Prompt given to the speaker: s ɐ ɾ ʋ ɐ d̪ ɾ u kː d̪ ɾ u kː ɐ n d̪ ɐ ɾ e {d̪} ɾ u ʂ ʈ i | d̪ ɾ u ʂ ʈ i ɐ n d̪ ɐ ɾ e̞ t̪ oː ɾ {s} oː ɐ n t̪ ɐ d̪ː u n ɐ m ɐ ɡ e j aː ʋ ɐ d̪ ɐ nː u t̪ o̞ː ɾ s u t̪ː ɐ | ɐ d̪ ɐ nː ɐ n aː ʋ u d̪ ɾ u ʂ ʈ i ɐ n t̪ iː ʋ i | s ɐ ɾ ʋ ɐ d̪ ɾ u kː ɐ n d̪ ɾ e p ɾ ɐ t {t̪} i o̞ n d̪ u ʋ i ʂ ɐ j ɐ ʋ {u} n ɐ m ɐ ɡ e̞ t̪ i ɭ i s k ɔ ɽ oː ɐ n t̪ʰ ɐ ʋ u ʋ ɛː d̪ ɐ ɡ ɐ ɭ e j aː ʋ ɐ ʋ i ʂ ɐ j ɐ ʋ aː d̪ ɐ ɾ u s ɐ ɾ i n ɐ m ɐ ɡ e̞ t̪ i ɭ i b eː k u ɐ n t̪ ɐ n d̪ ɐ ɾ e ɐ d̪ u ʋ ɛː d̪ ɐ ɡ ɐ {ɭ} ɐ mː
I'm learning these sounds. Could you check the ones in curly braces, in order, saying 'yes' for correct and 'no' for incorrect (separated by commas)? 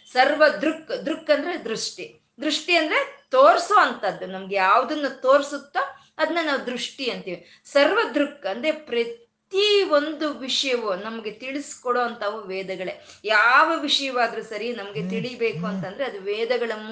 yes, yes, yes, yes, yes